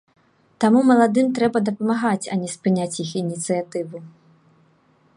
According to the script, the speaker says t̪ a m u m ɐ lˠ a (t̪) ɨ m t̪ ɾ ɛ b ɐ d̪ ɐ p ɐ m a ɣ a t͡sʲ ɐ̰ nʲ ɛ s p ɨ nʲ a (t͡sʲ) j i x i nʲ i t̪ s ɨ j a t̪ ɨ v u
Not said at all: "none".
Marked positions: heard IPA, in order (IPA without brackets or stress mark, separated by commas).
d̪, t͡sʲ